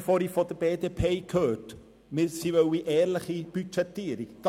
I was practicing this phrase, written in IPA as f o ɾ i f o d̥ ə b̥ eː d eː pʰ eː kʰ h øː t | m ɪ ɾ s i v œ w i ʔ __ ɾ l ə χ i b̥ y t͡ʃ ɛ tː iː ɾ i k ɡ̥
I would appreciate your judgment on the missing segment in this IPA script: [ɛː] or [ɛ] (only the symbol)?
ɛː